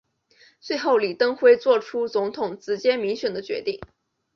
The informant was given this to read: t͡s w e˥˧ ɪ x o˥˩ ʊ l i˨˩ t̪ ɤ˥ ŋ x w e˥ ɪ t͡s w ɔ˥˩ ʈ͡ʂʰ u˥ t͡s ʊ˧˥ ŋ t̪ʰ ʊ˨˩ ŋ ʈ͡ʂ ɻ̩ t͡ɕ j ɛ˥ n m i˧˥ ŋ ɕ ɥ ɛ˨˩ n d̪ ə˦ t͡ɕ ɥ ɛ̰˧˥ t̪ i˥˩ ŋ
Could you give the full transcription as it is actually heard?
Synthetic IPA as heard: t͡s w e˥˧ ɪ x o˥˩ ʊ l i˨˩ t̪ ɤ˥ ŋ x w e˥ ɪ t͡s w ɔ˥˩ ʈ͡ʂʰ u˥ t͡s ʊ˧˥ ŋ t̪ʰ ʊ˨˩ ŋ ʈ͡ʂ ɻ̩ t͡ɕ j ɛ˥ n m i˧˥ ŋ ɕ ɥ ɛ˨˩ n d̪ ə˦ t͡ɕ ɥ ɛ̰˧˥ t̪ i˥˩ ŋ